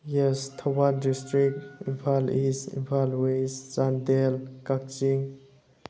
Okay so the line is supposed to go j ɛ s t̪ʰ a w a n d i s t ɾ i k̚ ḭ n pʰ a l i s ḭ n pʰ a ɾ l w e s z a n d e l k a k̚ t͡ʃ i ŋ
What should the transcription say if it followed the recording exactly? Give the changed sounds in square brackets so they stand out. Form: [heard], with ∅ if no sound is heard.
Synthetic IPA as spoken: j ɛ s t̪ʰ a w a n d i s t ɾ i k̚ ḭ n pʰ a l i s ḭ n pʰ a [∅] l w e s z a n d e l k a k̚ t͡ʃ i ŋ